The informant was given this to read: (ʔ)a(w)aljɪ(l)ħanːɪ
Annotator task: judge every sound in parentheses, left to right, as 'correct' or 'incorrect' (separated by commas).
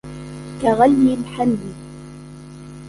incorrect, incorrect, correct